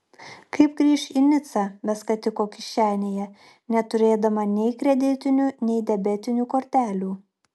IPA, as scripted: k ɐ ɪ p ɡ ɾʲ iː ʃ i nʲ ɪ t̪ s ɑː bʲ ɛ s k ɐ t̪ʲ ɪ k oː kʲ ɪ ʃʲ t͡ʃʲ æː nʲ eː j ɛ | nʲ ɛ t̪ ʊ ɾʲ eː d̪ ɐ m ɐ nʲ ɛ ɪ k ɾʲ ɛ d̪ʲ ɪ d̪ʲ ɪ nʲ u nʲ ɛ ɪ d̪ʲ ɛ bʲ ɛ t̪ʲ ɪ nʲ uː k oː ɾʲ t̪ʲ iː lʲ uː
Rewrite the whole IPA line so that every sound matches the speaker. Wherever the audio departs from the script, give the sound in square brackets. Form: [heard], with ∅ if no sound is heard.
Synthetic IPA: k ɐ ɪ p ɡ ɾʲ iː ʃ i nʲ ɪ t̪ s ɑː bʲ ɛ s k ɐ t̪ʲ ɪ k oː kʲ ɪ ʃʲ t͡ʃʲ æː nʲ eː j ɛ | nʲ ɛ t̪ ʊ ɾʲ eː d̪ ɐ m ɐ nʲ ɛ ɪ k ɾʲ ɛ d̪ʲ ɪ [t̪ʲ] ɪ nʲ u nʲ ɛ ɪ d̪ʲ ɛ bʲ ɛ t̪ʲ ɪ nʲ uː k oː ɾʲ t̪ʲ [æː] lʲ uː